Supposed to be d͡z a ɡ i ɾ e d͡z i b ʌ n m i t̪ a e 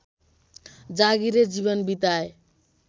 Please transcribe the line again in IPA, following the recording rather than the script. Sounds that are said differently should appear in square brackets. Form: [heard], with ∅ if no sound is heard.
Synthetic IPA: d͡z a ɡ i ɾ e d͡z i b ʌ n [b] i t̪ a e